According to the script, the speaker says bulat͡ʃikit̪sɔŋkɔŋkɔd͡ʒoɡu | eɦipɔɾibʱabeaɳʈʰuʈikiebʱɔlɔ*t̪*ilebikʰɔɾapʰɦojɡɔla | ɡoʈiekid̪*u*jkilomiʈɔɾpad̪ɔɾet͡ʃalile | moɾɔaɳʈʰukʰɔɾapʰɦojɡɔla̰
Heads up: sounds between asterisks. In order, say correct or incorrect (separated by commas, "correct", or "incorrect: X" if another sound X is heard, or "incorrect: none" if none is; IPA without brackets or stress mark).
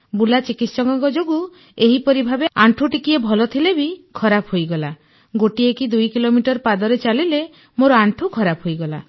incorrect: t̪ʰ, correct